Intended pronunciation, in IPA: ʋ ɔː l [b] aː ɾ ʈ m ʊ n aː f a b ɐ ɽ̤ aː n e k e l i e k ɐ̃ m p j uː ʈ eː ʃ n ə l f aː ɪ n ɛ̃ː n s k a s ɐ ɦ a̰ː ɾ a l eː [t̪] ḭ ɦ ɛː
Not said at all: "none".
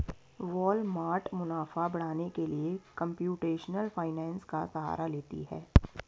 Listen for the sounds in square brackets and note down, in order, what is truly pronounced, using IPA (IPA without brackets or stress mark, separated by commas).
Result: m, t̪